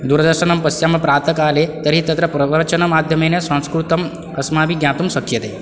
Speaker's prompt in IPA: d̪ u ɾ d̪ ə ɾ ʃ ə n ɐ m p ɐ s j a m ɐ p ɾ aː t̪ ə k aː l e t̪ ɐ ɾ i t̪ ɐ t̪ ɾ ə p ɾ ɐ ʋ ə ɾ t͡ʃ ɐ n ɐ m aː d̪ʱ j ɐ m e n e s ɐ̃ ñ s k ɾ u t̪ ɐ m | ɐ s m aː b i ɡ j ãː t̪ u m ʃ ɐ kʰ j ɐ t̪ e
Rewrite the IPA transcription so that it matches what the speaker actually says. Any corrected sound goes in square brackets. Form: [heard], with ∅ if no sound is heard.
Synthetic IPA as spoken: d̪ u ɾ d̪ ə ɾ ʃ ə n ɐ m p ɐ s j a m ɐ p ɾ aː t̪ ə k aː l e t̪ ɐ ɾ i t̪ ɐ t̪ ɾ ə p ɾ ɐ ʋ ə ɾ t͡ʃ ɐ n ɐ m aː d̪ʱ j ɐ m e n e s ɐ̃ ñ s k ɾ u t̪ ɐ m | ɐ s m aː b i ɡ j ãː t̪ u m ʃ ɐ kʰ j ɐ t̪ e